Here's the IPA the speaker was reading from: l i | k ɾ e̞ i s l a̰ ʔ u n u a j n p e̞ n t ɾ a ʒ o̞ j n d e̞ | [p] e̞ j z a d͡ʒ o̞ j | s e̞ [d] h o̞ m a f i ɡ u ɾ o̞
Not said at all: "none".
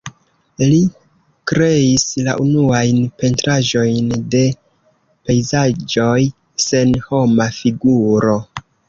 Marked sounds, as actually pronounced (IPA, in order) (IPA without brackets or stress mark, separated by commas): p, n